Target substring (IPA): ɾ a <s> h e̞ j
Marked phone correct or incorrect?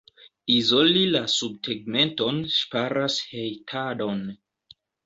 correct